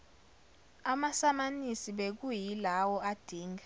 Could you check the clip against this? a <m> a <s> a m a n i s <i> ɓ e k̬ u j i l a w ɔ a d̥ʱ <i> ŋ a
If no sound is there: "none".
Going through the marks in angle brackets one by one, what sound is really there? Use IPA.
m, s, i, iː

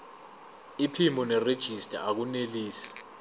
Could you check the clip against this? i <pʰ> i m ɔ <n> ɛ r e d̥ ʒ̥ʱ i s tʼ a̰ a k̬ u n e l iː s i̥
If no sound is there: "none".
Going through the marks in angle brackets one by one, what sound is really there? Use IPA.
pʰ, n

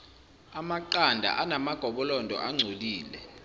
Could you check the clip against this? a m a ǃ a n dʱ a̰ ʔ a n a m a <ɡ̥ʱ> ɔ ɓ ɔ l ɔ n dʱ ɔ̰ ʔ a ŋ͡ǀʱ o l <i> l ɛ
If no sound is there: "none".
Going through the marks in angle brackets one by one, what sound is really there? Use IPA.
ɡ̥ʱ, iː

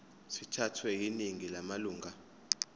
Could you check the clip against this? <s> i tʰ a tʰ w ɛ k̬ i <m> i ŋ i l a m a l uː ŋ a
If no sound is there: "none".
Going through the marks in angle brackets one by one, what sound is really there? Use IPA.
s, n

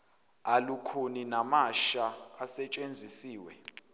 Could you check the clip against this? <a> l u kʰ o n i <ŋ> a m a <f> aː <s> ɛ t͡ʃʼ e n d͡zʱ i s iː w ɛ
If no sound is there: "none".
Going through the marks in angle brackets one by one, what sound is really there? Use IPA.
a, n, ʃ, s

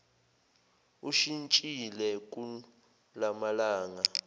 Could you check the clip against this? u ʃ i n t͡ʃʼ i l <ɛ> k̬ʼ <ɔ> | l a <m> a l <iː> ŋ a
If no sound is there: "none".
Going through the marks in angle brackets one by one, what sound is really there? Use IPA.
ɛ, u, m, aː

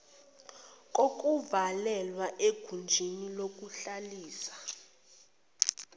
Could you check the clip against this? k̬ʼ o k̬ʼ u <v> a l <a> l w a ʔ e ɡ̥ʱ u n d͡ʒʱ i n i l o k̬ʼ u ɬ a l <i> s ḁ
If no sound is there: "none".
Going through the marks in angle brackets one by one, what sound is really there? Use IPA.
v, ɛ, iː

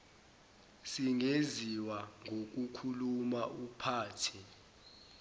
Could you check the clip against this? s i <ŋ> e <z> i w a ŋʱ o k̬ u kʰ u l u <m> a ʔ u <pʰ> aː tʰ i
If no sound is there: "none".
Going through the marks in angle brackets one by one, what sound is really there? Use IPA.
ŋ, z, m, pʰ

